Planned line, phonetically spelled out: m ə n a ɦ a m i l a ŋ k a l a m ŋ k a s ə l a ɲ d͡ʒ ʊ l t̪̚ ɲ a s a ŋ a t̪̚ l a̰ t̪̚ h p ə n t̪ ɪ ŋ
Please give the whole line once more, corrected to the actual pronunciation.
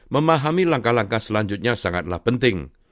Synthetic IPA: m ə m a ɦ a m i l a ŋ k a l a ŋ k a s ə l a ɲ d͡ʒ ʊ t̪̚ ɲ a s a ŋ a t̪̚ l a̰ h p ə n t̪ ɪ ŋ